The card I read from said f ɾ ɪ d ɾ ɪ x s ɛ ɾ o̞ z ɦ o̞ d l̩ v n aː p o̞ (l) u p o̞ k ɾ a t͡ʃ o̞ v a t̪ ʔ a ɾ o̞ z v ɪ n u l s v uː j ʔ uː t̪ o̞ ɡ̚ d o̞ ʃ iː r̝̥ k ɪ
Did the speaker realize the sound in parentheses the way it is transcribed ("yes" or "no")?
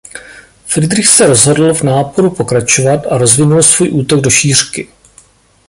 no